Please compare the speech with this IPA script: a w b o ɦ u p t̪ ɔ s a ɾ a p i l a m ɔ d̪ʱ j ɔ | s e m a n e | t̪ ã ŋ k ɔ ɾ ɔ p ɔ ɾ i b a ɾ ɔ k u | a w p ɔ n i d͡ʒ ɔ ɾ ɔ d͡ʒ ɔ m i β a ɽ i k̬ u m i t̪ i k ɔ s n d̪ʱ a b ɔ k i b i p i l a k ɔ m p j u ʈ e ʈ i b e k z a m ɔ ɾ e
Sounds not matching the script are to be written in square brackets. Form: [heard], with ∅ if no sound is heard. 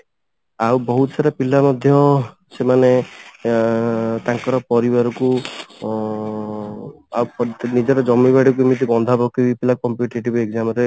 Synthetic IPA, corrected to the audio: a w b [ɔ] ɦ u [∅] t̪ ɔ s a ɾ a p i l a m ɔ d̪ʱ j ɔ | s e m a n e | t̪ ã ŋ k ɔ ɾ ɔ p ɔ ɾ i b a ɾ ɔ k u | a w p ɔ n i d͡ʒ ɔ ɾ ɔ d͡ʒ ɔ m i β a ɽ i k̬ u m i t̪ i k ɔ [∅] n d̪ʱ a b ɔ k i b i p i l a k ɔ m p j u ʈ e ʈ i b e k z a m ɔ ɾ e